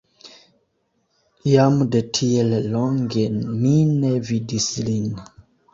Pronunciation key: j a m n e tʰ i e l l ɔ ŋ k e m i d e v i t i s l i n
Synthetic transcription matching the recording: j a m d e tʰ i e l l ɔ ŋ ɡ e m i n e v i d i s l i n